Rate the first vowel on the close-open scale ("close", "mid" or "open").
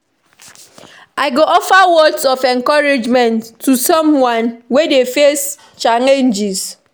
open